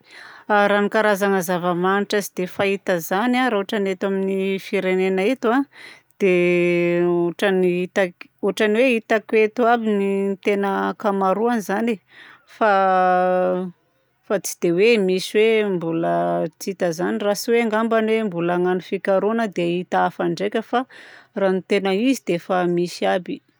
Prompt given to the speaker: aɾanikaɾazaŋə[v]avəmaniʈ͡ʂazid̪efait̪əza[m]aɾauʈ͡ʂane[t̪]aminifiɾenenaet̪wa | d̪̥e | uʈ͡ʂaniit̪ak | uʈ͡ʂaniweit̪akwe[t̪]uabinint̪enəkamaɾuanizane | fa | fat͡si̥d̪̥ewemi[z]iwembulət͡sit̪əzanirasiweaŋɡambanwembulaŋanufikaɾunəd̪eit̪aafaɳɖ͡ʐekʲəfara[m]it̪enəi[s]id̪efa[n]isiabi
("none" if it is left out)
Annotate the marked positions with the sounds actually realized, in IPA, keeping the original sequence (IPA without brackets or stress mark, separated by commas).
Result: z, n, t̪, t̪, s, n, z, m